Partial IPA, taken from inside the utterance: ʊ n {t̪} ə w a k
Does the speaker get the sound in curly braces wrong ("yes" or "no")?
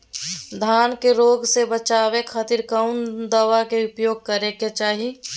yes